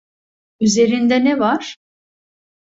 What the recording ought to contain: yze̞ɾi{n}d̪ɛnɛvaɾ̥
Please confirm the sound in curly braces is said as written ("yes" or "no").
yes